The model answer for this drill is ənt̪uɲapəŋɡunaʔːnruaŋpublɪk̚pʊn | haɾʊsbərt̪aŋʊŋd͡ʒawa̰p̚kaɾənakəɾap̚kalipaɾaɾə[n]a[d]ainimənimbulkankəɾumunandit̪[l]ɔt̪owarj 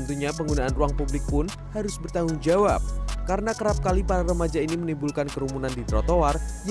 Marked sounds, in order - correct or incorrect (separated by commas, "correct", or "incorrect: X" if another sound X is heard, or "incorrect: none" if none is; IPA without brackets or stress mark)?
incorrect: m, incorrect: d͡ʒ, incorrect: ɾ